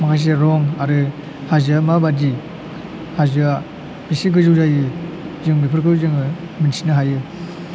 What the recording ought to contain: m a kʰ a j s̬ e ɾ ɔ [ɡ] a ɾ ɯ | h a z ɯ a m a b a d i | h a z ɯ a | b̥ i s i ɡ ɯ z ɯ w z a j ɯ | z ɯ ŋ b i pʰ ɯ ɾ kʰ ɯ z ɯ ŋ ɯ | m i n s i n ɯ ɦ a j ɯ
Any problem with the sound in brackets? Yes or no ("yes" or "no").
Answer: yes